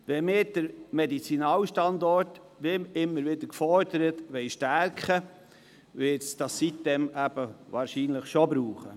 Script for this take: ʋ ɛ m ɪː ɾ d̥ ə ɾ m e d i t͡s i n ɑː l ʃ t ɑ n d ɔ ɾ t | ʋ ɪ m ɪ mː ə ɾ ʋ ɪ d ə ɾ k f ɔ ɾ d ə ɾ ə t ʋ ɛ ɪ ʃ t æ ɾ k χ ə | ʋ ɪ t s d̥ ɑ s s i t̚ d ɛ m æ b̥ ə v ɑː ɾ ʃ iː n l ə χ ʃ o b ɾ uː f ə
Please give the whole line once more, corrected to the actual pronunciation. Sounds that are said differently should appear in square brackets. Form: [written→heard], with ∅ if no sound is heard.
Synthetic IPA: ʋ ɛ m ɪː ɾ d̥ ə ɾ m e d i t͡s i n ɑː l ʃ t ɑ n d ɔ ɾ t | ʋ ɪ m ɪ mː ə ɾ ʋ ɪ d ə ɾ k f ɔ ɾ d ə ɾ ə t ʋ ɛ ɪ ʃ t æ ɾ k χ ə | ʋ ɪ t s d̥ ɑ s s i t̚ d ɛ m æ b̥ ə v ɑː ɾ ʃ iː n l ə χ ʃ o b ɾ uː [f→χ] ə